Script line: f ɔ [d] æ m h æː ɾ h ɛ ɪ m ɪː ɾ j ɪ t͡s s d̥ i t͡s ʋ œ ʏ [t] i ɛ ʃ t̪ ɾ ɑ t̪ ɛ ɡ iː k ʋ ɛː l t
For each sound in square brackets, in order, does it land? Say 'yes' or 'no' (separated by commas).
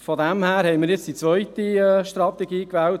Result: yes, yes